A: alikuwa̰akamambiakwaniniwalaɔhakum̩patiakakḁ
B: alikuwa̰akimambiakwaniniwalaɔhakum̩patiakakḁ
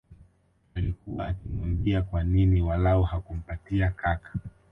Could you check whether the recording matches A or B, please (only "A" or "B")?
B